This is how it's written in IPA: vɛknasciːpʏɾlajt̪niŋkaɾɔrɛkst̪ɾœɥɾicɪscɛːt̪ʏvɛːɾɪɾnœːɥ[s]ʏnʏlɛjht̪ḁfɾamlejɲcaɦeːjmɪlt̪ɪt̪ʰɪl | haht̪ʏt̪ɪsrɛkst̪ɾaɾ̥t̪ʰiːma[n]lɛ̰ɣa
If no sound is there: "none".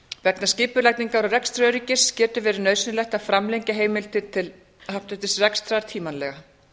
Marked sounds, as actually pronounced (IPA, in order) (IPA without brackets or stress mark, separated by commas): s, n